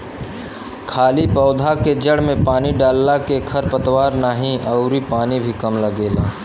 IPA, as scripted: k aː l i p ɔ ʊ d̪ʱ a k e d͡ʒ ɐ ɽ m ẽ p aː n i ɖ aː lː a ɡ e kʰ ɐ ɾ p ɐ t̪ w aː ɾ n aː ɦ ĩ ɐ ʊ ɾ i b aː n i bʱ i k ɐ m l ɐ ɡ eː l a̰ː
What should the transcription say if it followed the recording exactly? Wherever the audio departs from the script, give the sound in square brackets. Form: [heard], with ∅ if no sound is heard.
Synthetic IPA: [kʰ] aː l i p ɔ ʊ d̪ʱ a k e d͡ʒ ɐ ɽ m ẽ p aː n i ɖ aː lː a [k] e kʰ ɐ ɾ p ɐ t̪ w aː ɾ n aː ɦ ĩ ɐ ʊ ɾ i [p] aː n i bʱ i k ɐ m l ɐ ɡ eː l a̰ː